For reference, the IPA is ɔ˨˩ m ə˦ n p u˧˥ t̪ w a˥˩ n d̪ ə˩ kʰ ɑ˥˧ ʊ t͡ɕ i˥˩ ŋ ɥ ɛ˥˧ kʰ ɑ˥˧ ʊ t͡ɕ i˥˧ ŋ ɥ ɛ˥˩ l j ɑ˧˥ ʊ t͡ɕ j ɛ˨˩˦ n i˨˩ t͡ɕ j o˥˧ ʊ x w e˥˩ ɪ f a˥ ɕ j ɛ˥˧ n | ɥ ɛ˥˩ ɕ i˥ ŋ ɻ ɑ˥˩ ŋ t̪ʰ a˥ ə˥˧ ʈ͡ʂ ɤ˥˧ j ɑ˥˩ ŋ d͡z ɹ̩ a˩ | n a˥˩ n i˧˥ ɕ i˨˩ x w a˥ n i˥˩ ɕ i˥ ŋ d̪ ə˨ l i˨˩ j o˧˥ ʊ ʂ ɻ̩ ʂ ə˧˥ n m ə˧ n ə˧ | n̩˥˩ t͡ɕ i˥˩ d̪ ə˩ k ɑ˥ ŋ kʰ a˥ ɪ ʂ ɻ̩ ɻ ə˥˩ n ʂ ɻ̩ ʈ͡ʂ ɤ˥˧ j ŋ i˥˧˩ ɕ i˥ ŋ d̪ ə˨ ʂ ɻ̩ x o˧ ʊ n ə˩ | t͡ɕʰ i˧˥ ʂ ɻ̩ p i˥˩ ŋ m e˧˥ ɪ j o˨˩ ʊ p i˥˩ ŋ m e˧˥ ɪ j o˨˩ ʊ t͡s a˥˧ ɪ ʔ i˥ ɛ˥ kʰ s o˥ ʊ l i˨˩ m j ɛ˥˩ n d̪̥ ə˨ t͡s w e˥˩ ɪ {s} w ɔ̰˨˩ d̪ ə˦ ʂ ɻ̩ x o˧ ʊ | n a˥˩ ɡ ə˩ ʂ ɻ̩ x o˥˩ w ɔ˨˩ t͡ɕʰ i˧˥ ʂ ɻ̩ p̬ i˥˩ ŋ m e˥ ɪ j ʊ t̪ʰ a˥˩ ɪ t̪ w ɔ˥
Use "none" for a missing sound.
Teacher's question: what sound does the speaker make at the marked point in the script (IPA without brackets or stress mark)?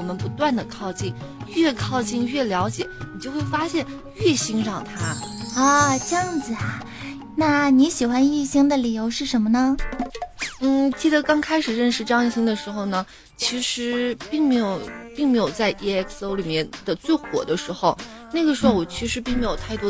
x